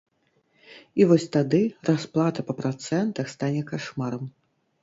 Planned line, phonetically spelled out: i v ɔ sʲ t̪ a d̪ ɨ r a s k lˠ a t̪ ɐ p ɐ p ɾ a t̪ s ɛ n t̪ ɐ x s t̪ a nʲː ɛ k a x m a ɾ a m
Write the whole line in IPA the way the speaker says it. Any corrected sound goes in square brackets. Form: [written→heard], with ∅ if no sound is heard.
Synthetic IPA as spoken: i v ɔ sʲ t̪ a d̪ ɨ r a s [k→p] lˠ a t̪ ɐ p ɐ p ɾ a t̪ s ɛ n t̪ ɐ x s t̪ a [nʲː→nʲ] ɛ k a [x→ʂ] m a ɾ [a→ɐ] m